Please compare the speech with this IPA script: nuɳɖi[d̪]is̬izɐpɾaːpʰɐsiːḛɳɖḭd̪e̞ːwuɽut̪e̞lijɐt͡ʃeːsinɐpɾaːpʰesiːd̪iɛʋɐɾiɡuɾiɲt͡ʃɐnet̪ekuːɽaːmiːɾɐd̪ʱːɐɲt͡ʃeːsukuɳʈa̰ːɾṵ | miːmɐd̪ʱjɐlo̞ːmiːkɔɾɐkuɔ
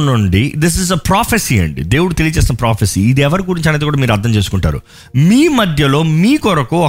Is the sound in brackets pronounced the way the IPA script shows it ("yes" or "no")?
yes